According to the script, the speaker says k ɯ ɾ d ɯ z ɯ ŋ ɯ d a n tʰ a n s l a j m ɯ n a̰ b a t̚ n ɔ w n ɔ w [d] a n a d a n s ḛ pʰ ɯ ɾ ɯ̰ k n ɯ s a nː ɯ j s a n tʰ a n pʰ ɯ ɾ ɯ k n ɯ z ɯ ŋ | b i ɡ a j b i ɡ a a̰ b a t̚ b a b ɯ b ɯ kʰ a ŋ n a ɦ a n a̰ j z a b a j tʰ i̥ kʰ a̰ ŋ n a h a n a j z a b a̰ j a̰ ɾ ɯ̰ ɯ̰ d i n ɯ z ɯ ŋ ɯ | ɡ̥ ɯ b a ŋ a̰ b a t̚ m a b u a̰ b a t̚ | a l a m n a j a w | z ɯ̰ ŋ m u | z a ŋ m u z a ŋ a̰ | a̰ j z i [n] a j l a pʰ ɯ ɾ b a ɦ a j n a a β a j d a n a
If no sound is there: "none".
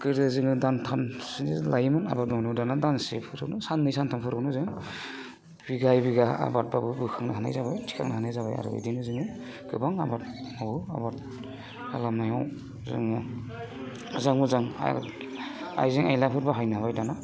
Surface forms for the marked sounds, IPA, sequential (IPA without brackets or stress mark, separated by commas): d, ŋ